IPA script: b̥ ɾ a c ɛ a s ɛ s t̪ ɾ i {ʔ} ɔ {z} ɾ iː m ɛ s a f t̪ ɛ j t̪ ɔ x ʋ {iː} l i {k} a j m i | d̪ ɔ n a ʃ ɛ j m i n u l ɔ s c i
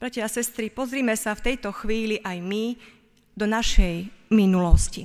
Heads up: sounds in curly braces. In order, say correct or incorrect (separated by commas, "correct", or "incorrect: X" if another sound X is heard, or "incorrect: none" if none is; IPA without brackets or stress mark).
incorrect: p, correct, correct, incorrect: ʔ